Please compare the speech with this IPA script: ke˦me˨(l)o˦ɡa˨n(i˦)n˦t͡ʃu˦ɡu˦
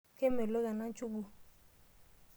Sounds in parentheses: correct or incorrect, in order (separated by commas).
correct, incorrect